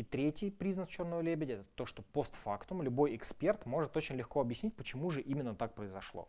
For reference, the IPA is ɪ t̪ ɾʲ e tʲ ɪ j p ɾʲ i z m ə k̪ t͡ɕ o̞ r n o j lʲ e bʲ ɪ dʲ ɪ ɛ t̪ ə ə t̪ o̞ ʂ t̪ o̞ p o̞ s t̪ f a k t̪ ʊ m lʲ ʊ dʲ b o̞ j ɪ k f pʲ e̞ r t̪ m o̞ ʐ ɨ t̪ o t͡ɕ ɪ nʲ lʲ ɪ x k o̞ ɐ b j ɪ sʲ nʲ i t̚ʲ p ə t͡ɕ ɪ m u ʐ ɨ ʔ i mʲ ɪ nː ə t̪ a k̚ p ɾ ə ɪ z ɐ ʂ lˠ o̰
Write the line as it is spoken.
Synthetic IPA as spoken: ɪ t̪ ɾʲ e tʲ ɪ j p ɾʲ i z n ə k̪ t͡ɕ o̞ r n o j lʲ e bʲ ɪ dʲ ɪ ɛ t̪ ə ə t̪ o̞ ʂ t̪ o̞ p o̞ s t̪ f a k t̪ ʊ m lʲ ʊ b o̞ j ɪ k s pʲ e̞ r t̪ m o̞ ʐ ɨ t̪ o t͡ɕ ɪ nʲ lʲ ɪ x k o̞ ɐ b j ɪ sʲ nʲ i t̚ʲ p ə t͡ɕ ɪ m u ʐ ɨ ʔ i mʲ ɪ nː ə t̪ a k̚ p ɾ ə ɪ z ɐ ʂ lˠ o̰